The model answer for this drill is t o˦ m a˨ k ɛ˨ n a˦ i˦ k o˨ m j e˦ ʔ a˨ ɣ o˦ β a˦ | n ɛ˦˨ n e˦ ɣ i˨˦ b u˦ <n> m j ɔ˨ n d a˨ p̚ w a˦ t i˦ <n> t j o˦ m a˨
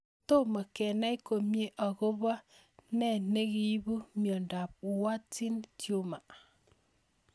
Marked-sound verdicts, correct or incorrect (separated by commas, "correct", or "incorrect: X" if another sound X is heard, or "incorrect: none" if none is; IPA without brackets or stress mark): incorrect: none, correct